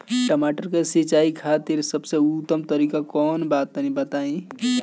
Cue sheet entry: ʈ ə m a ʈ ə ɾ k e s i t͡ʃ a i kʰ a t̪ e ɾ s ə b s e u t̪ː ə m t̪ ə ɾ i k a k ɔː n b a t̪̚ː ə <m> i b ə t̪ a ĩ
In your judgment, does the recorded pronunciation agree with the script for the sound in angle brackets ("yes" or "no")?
no